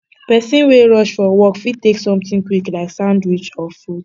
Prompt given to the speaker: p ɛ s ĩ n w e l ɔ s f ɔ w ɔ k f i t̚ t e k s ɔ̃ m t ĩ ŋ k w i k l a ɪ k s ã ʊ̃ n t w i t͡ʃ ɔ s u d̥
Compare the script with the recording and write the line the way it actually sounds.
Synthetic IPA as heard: p ɛ s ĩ n w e ɹ ɔ ʃ f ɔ w ɔ k f i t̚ t e k s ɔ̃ m t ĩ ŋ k w i k l a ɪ k s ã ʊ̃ n d w i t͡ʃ ɔ f u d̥